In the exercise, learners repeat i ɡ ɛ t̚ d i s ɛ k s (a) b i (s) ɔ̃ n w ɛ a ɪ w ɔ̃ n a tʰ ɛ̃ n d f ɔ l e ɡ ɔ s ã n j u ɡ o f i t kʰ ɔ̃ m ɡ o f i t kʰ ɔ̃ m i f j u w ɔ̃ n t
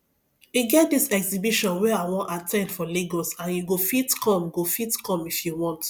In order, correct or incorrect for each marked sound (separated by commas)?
incorrect, incorrect